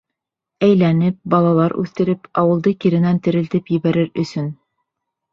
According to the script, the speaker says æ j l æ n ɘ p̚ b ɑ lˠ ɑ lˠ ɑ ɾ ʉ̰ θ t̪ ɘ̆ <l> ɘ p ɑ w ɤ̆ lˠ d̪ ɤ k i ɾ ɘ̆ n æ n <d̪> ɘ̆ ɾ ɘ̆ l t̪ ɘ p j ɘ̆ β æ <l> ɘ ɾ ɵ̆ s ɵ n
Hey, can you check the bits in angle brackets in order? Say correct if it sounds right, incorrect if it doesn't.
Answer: incorrect: ɾ, incorrect: t̪, incorrect: ɾ

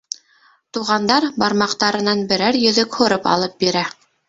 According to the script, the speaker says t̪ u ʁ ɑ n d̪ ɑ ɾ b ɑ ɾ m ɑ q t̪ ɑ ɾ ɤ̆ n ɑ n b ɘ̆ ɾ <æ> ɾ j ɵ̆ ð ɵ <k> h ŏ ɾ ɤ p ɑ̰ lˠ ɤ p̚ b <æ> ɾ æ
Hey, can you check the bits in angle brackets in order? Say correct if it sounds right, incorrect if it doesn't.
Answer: correct, correct, incorrect: i

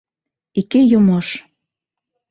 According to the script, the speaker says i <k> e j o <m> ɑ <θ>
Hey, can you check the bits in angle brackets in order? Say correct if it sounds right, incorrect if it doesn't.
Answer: correct, correct, incorrect: ʃ

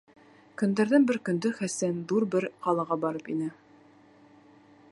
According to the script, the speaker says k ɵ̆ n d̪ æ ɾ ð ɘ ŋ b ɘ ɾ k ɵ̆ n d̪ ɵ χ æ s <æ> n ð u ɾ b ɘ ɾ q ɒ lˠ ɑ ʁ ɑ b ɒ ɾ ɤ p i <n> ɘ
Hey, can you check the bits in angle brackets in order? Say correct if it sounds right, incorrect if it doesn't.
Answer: correct, correct

